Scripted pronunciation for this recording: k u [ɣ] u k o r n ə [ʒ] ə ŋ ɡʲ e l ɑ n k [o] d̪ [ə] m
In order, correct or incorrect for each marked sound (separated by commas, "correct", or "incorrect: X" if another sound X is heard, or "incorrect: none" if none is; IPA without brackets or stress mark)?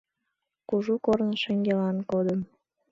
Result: incorrect: ʒ, incorrect: ʃ, correct, correct